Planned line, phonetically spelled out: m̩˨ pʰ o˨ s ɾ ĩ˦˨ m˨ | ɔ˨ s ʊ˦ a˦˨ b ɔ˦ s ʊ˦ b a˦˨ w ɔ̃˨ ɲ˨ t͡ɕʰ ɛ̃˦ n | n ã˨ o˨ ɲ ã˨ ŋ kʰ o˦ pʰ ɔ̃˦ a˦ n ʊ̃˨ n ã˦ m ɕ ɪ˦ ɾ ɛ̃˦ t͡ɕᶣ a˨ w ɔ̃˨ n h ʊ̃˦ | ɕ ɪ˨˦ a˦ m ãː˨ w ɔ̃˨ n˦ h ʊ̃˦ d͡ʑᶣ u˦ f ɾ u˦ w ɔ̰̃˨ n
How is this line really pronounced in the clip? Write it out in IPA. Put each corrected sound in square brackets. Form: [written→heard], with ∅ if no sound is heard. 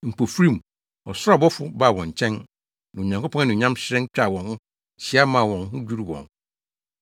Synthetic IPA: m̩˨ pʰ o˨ [s→f] ɾ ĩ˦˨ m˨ | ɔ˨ s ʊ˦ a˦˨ b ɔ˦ [s→f] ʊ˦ b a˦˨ w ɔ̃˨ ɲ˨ t͡ɕʰ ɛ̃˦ n | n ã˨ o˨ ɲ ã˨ ŋ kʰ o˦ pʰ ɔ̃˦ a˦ n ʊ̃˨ [n→ɲ] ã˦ m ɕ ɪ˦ ɾ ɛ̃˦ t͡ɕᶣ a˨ w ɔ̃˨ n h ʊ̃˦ | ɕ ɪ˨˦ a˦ m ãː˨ w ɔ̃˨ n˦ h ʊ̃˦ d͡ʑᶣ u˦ [f→∅] ɾ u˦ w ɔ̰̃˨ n